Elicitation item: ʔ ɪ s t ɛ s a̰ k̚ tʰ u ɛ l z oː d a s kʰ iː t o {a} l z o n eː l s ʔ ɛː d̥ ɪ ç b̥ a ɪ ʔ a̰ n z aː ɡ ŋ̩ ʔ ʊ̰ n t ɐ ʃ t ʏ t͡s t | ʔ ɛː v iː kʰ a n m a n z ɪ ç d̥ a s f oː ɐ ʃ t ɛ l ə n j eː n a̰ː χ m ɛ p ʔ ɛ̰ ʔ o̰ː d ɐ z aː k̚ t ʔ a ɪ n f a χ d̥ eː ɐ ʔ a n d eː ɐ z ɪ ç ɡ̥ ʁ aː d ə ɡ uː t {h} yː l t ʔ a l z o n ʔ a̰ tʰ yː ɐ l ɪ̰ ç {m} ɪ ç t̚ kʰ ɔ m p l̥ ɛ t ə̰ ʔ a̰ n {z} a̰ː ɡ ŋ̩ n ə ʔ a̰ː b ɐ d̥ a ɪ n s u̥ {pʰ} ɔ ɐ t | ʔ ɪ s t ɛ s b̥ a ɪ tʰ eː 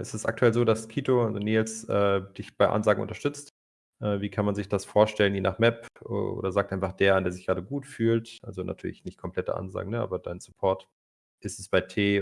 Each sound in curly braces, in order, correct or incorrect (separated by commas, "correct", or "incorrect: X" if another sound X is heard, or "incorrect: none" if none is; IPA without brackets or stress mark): correct, incorrect: f, incorrect: n, correct, correct